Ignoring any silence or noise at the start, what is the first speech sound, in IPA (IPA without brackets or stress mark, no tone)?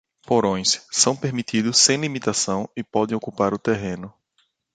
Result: p